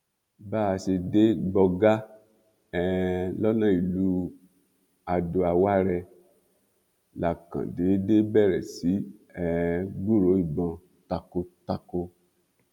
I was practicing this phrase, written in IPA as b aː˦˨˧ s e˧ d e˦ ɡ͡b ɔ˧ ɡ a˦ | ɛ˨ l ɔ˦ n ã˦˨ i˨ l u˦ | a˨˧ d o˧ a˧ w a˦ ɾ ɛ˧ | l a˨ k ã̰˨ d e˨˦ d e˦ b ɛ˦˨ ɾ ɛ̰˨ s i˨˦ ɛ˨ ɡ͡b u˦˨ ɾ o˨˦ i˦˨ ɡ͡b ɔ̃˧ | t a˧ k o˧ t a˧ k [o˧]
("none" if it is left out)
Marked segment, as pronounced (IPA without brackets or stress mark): o˧